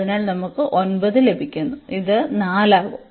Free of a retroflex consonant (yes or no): yes